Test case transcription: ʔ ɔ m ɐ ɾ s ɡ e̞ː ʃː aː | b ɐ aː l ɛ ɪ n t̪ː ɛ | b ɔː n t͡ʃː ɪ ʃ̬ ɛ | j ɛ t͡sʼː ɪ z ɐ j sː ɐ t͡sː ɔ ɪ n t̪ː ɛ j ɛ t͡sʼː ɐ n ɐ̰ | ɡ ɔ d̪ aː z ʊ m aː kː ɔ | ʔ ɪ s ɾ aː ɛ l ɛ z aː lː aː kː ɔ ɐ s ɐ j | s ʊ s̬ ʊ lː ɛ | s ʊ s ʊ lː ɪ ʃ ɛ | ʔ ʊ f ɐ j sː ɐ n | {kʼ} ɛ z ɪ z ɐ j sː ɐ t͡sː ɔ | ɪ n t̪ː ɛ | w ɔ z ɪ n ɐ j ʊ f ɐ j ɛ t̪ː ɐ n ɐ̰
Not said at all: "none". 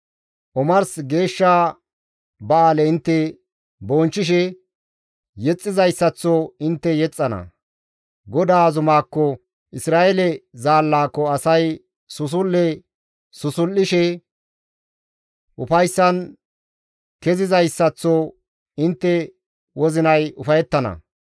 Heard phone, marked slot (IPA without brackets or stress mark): k